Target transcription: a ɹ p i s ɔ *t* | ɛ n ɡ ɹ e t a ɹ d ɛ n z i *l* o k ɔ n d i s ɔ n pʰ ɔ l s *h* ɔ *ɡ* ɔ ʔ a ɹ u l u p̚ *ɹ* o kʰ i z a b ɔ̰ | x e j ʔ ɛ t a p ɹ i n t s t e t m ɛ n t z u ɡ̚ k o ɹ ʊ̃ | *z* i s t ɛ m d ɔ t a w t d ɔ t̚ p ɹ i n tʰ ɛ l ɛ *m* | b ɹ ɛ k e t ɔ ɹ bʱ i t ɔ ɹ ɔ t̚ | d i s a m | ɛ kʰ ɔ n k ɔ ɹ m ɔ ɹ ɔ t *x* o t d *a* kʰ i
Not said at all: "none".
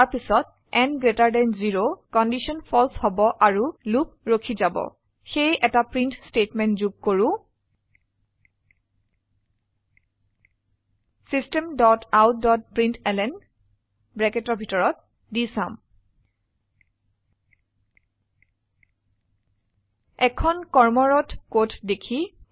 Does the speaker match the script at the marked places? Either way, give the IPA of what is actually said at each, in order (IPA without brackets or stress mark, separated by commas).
t, ɹ, h, b, ɹ, s, n, k, e